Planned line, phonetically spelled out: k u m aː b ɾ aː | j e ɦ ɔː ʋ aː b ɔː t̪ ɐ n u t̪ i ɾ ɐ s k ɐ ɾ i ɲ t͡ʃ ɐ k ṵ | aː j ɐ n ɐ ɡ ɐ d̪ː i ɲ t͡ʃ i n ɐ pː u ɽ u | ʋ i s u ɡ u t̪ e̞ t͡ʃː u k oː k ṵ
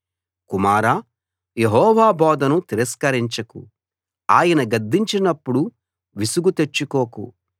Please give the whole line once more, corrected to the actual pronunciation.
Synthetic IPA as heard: k u m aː ɾ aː | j e ɦ ɔː ʋ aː b ɔː d̪ ɐ n u t̪ i ɾ ɐ s k ɐ ɾ i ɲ t͡ʃ ɐ k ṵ | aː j ɐ n ɐ ɡ ɐ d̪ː i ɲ t͡ʃ i n ɐ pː u ɽ u | ʋ i s u ɡ u t̪ e̞ t͡ʃː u k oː k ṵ

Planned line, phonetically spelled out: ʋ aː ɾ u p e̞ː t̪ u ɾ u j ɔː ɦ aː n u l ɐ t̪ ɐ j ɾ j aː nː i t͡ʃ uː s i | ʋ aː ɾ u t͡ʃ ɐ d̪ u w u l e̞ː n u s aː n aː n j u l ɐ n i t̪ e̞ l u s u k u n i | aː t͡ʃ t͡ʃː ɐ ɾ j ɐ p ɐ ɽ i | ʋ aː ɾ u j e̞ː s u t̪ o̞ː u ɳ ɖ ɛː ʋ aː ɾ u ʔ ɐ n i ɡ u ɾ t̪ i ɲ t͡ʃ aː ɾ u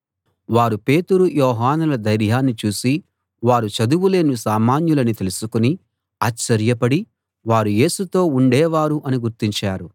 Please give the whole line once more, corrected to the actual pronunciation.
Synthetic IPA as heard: ʋ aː ɾ u p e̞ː t̪ u ɾ u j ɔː ɦ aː n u l ɐ d̪ ɐ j ɾ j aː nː i t͡ʃ uː s i | ʋ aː ɾ u t͡ʃ ɐ d̪ u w u l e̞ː n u s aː m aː n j u l ɐ n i t̪ e̞ l u s u k u n i | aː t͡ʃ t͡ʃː ɐ ɾ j ɐ p ɐ ɽ i | ʋ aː ɾ u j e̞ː s u t̪ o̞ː u ɳ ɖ ɛː ʋ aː ɾ u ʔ ɐ n i ɡ u ɾ t̪ i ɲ t͡ʃ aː ɾ u

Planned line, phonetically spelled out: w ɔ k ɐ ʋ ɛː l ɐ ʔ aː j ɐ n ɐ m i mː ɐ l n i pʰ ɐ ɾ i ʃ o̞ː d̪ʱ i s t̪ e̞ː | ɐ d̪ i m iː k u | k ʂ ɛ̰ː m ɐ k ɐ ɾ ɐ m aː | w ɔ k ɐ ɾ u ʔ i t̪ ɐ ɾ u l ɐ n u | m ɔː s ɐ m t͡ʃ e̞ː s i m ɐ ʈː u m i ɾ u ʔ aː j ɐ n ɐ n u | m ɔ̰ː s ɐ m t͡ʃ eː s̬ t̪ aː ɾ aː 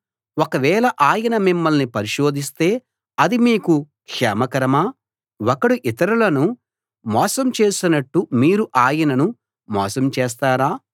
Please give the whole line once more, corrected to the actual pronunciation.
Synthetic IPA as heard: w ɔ k ɐ ʋ ɛː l ɐ ʔ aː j ɐ n ɐ m i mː ɐ l n i p ɐ ɾ i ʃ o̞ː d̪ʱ i s t̪ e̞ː | ɐ d̪ i m iː k u | k ʂ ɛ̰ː m ɐ k ɐ ɾ ɐ m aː | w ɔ k ɐ ɽ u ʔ i t̪ ɐ ɾ u l ɐ n u | m ɔː s ɐ m t͡ʃ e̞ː s i n ɐ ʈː u m iː ɾ u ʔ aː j ɐ n ɐ n u | m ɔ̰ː s ɐ m t͡ʃ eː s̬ t̪ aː ɾ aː

